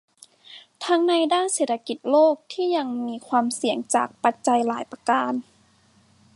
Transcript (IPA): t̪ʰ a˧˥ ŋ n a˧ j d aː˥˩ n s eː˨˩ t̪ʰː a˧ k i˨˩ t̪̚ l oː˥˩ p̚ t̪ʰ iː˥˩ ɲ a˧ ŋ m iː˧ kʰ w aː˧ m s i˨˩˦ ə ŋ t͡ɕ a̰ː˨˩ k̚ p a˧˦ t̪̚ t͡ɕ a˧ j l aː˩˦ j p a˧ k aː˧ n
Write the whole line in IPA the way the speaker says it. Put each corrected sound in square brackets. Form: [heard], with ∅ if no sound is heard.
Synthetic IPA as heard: t̪ʰ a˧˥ ŋ n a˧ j d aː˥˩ n s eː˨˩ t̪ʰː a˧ k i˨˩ t̪̚ l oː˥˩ [k̚] t̪ʰ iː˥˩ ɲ a˧ ŋ m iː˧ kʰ w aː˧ m s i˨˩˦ ə ŋ t͡ɕ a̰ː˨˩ k̚ p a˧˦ t̪̚ t͡ɕ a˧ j l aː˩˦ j p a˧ k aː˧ n